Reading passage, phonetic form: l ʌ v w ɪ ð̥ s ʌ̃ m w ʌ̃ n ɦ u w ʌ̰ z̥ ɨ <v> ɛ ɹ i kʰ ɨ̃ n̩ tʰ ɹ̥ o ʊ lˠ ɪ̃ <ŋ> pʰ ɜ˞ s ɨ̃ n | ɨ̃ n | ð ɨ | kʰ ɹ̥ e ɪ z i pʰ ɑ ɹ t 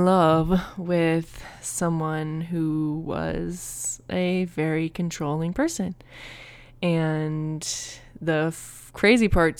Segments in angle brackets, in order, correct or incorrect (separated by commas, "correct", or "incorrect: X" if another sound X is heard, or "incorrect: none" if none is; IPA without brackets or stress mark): correct, correct